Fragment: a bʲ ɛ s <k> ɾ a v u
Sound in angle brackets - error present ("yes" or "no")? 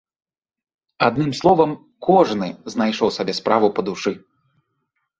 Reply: yes